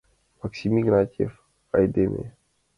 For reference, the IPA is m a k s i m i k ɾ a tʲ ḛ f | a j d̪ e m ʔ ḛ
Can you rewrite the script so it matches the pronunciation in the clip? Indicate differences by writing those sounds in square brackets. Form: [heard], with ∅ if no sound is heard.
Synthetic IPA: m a k s i m i [ɡ] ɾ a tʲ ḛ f | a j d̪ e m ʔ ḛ